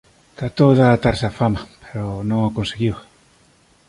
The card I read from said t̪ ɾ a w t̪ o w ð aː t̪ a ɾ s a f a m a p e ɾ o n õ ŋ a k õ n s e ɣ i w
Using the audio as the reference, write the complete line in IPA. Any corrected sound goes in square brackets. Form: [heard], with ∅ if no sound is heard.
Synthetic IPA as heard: t̪ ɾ a [∅] t̪ o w ð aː t̪ a ɾ s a f a m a p e ɾ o n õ ŋ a k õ n s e ɣ i w